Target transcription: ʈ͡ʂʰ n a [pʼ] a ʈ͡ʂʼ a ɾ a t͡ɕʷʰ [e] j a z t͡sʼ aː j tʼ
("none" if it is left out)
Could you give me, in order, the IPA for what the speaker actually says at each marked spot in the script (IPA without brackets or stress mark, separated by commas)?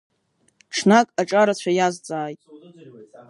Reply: kʼ, a